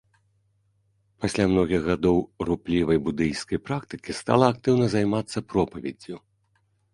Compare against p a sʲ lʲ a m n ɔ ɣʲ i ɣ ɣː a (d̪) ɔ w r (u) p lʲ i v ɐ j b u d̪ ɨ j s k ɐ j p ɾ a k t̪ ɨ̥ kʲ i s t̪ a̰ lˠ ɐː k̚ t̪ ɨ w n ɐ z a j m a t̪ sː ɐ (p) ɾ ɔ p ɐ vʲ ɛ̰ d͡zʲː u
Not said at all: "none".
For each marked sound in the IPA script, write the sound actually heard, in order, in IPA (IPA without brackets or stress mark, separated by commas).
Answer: d̪, u, p